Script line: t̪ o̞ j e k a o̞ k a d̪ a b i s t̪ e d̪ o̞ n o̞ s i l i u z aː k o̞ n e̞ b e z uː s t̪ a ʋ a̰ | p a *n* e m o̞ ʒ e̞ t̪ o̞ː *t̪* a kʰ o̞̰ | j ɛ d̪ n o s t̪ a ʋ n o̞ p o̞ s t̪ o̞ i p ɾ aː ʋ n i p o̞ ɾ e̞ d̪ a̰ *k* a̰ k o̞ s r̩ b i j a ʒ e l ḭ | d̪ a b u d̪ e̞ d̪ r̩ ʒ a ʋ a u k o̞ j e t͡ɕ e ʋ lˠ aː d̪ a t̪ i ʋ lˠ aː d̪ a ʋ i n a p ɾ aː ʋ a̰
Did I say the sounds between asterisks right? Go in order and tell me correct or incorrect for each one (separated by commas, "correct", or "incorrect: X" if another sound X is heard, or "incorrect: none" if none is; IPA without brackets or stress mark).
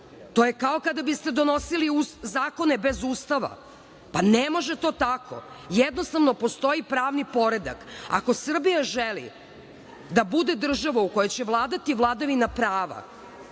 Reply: correct, correct, correct